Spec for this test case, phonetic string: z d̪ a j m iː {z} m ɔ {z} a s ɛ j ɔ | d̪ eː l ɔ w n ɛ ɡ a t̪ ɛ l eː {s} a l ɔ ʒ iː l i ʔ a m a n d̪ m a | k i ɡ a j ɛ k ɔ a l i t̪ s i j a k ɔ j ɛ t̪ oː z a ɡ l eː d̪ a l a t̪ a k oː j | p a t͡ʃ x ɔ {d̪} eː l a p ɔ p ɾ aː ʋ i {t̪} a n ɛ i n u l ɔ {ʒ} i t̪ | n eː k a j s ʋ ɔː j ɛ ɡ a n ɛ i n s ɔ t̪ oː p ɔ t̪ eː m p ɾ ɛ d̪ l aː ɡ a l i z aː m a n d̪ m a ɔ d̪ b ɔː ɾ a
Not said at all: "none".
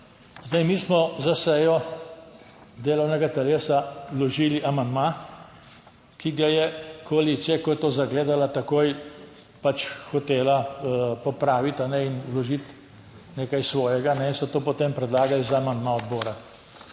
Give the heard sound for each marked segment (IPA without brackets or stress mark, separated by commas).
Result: s, z, s, t̪, t̪, ʒ